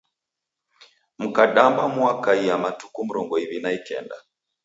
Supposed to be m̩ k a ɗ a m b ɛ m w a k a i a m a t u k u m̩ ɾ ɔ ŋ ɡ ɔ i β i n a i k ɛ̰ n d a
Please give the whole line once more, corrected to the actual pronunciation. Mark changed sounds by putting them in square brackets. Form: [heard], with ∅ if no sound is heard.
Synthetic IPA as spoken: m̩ k a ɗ a m b [a] m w a k a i a m a t u k u m̩ ɾ ɔ ŋ ɡ ɔ i β i n a i k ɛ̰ n d a